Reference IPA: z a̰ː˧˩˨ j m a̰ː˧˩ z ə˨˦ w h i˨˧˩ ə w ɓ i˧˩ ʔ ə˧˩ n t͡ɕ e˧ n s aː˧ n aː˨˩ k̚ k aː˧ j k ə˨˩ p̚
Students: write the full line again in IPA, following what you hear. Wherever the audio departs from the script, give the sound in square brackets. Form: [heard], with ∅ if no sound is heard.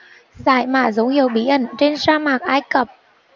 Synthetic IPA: z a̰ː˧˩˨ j m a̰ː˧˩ z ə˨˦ w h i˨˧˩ ə w ɓ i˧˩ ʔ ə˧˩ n t͡ɕ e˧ n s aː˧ [m] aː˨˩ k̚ [ʔ] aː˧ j k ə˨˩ p̚